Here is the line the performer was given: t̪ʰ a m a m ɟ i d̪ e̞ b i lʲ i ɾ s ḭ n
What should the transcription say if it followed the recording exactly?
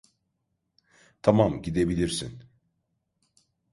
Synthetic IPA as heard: t̪ʰ a m a m ɟ i d̪ e̞ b i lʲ i ɾ s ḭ n